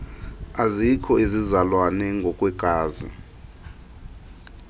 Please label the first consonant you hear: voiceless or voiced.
voiced